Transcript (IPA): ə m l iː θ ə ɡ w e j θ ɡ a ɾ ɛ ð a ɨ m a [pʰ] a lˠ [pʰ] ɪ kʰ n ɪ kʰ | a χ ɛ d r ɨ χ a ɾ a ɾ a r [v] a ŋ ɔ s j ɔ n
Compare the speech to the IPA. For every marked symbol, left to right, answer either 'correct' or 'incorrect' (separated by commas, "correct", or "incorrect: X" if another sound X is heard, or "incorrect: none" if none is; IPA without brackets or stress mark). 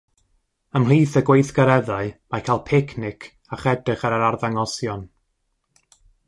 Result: incorrect: kʰ, correct, incorrect: ð